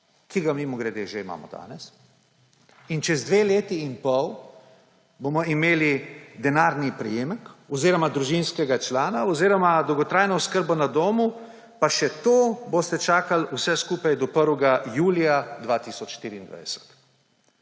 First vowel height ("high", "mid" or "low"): high